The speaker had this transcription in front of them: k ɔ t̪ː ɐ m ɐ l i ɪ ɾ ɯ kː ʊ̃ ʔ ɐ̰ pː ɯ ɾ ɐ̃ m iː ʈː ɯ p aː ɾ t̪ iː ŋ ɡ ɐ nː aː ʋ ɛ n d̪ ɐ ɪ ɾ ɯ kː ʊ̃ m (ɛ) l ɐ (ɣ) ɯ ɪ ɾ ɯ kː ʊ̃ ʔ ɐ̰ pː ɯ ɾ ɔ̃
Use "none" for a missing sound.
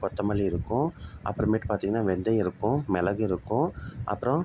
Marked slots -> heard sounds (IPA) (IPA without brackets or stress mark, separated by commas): ɛ, ɣ